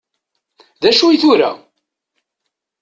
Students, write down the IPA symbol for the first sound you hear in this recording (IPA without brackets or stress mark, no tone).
ð